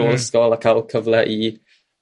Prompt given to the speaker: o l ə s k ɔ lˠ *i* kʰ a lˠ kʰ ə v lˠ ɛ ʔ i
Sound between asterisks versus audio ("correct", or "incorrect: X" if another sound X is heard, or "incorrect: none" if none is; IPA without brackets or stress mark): incorrect: a